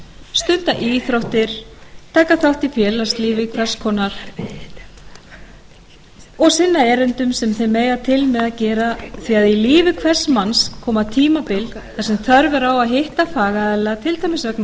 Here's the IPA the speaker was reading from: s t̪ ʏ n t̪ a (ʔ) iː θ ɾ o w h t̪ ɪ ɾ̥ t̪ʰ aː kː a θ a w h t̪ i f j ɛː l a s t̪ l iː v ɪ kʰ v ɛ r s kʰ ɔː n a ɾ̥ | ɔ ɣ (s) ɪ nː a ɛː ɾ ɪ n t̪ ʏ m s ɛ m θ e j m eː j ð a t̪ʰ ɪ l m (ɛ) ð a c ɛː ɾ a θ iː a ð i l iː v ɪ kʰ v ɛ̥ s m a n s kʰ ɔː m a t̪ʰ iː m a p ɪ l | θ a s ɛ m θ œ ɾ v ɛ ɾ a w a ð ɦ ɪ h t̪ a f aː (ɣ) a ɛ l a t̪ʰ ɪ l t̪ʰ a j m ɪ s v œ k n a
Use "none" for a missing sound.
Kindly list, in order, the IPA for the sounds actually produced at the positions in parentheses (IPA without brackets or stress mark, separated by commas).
ʔ, s, ɛ, ɣ